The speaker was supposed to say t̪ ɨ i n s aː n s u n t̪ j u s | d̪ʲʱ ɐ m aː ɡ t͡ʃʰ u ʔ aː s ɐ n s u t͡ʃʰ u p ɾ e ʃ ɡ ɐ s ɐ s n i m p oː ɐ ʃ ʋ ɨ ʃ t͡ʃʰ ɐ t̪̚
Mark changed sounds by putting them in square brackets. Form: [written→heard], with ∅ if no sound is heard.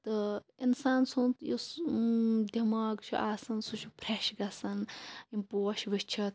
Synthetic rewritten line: t̪ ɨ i n s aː n s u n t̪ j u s | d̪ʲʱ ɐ m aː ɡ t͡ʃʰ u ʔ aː s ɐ n s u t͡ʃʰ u p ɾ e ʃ ɡ ɐ s ɐ [s→∅] n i m p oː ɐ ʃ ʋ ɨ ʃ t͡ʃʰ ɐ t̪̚